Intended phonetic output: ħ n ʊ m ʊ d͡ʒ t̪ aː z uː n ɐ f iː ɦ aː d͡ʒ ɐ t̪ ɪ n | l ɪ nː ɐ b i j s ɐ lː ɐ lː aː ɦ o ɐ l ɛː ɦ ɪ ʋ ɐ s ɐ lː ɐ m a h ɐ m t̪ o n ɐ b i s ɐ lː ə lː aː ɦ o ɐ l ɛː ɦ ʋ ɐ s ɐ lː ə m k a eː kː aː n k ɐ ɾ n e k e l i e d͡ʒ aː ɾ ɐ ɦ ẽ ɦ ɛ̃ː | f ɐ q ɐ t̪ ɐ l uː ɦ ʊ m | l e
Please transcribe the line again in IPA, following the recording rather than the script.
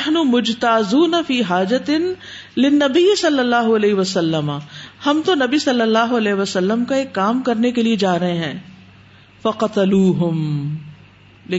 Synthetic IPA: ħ n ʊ m ʊ d͡ʒ t̪ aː z uː n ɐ f iː ɦ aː d͡ʒ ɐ t̪ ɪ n | l ɪ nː ɐ b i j s ɐ lː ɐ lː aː ɦ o ɐ l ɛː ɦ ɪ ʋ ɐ s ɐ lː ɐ m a h ɐ m t̪ o n ɐ b i s ɐ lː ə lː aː ɦ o ɐ l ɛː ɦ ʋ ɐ s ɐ lː ə m k a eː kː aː m k ɐ ɾ n e k e l i e d͡ʒ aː ɾ ɐ ɦ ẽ ɦ ɛ̃ː | f ɐ q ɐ t̪ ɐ l uː ɦ ʊ m | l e